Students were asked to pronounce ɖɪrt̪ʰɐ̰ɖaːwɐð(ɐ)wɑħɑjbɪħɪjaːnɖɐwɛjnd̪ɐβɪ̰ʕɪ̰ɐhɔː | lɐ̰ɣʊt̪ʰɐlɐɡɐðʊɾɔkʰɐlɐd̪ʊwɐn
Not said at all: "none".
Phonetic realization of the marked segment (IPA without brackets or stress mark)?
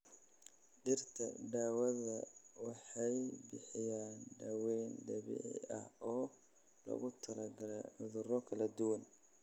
ɐ